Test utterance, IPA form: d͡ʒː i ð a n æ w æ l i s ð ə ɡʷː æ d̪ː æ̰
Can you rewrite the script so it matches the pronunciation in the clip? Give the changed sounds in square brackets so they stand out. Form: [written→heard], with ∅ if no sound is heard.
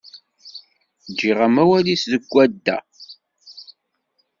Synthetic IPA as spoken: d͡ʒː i [ð→ʁ] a [n→m] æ w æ l i s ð ə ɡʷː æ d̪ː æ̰